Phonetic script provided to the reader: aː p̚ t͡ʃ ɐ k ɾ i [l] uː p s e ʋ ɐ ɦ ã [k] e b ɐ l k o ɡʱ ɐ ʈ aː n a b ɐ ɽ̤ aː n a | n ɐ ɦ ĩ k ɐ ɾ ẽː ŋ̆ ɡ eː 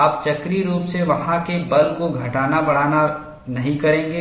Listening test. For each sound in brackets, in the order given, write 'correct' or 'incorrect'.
incorrect, correct

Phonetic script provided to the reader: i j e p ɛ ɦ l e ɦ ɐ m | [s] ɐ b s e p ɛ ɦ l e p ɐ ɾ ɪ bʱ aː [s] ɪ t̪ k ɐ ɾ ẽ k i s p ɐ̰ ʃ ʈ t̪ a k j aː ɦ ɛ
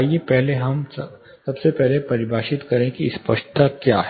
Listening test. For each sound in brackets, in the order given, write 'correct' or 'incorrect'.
correct, incorrect

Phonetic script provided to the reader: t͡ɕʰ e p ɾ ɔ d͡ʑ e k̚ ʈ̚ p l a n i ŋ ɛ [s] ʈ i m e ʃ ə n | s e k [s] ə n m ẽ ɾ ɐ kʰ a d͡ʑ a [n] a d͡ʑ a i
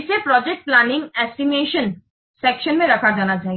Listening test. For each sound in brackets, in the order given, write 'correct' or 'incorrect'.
correct, incorrect, correct

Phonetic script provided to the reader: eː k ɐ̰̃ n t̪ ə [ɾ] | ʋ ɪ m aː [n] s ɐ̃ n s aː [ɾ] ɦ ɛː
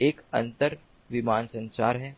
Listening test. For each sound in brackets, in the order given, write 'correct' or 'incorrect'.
correct, correct, correct

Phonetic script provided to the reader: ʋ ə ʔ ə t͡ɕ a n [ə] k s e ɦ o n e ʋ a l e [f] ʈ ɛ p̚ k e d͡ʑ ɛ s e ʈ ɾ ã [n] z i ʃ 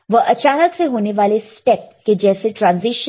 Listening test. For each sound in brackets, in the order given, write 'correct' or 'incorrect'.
correct, incorrect, correct

